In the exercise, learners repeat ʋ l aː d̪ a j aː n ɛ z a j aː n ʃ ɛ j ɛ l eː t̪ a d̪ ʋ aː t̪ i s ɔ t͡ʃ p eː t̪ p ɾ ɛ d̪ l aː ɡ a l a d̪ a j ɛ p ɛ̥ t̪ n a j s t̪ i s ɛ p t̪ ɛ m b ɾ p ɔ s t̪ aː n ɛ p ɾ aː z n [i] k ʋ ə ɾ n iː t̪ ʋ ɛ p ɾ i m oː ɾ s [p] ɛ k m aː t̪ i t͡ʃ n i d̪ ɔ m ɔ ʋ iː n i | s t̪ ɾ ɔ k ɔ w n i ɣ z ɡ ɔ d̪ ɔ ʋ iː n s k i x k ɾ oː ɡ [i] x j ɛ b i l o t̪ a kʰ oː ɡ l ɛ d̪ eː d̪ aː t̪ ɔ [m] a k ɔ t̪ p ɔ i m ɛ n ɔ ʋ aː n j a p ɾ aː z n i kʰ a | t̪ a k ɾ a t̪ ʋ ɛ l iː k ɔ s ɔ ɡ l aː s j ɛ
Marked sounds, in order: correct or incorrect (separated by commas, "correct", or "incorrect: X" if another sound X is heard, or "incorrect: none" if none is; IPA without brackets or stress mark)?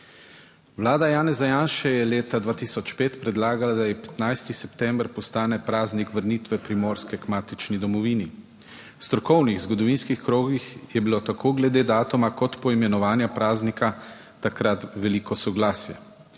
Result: correct, incorrect: k, correct, correct